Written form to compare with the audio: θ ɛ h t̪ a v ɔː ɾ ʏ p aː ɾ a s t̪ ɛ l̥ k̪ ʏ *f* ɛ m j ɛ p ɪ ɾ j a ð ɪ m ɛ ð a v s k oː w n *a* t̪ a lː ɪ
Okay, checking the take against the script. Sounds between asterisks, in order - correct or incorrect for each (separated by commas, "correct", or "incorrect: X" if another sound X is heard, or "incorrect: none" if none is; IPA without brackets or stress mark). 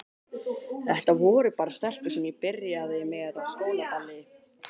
incorrect: s, correct